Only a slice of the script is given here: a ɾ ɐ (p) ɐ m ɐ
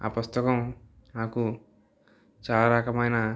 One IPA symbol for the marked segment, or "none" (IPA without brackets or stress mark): k